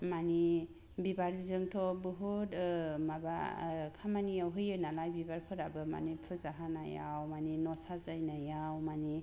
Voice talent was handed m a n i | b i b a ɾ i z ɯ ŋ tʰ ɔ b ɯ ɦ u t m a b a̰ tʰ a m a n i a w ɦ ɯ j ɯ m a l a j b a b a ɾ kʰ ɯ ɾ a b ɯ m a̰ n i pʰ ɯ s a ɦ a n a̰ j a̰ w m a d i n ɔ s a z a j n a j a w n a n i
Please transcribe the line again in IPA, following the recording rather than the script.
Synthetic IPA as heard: m a n i | b i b a ɾ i z ɯ ŋ tʰ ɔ b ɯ ɦ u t m a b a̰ kʰ a m a n i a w ɦ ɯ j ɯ n a l a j b i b a ɾ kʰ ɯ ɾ a b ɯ m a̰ n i pʰ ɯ z a ɦ a n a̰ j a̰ w m a n i n ɔ s a z a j n a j a w m a n i